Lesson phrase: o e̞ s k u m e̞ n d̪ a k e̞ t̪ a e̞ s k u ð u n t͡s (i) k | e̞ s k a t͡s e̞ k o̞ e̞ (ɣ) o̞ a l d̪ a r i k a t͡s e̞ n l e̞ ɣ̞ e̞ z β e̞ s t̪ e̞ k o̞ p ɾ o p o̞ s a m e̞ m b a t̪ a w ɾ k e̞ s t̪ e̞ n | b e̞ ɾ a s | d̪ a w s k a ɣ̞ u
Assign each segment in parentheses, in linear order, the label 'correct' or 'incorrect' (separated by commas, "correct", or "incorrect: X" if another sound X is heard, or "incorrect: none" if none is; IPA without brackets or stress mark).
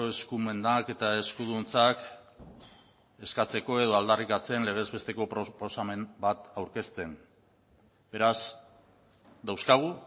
incorrect: a, incorrect: ð